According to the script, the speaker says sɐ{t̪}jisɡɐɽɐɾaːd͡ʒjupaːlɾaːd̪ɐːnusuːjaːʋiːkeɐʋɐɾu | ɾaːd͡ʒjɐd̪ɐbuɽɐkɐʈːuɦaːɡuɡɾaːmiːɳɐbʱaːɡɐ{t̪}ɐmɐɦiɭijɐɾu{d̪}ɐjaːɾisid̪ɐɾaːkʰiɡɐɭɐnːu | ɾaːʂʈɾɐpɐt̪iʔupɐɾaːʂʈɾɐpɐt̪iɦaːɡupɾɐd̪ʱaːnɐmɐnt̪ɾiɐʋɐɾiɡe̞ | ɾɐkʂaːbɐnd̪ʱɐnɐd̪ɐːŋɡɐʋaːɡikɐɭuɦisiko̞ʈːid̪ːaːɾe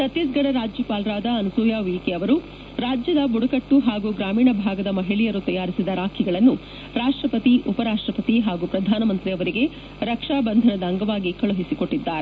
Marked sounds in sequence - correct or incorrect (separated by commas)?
correct, incorrect, incorrect